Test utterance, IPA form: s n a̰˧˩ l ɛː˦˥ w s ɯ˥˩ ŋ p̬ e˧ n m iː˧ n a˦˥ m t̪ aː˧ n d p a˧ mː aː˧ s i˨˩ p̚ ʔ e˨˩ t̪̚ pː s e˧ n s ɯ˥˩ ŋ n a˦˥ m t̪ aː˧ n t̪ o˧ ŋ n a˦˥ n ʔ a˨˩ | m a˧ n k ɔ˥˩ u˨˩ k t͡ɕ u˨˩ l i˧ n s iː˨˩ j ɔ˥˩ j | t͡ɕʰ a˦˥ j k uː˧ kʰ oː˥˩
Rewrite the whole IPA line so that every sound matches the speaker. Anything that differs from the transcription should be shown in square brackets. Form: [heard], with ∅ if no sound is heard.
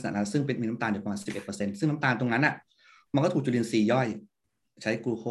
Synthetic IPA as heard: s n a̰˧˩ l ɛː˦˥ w s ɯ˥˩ ŋ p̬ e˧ n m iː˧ n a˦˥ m t̪ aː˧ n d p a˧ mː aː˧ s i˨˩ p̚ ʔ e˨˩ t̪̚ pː s e˧ n s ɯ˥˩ ŋ n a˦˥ m t̪ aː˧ n t̪ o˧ ŋ n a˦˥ n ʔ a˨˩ | m a˧ n k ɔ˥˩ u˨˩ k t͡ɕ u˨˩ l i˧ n s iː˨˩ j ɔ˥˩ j | t͡ɕʰ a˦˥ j k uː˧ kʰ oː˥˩